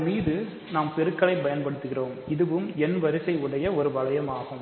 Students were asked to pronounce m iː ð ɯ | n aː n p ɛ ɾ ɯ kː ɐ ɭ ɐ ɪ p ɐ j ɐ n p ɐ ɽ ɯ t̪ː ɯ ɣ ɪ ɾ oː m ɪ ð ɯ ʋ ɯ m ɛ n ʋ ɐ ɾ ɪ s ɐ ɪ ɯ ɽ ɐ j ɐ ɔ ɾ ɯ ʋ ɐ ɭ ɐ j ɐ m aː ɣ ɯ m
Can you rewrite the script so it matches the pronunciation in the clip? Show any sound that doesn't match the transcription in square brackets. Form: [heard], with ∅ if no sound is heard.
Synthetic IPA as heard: m iː ð ɯ | n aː [m] p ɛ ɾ ɯ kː ɐ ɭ ɐ ɪ p ɐ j ɐ n p ɐ ɽ ɯ t̪ː ɯ ɣ ɪ [r] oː m ɪ ð ɯ ʋ ɯ m ɛ n ʋ ɐ ɾ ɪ s ɐ ɪ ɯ ɽ ɐ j ɐ ɔ ɾ ɯ ʋ ɐ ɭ ɐ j ɐ m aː ɣ ɯ m